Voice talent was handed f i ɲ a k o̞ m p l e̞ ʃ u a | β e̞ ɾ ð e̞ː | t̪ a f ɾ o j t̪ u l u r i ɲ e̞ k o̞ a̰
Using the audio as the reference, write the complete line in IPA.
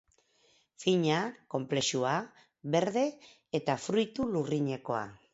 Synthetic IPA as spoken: f i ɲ a k o̞ m p l e̞ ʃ u a | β e̞ ɾ ð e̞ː | t̪ a f ɾ u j t̪ u l u r i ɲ e̞ k o̞ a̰